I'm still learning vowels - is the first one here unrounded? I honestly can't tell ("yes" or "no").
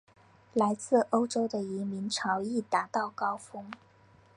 yes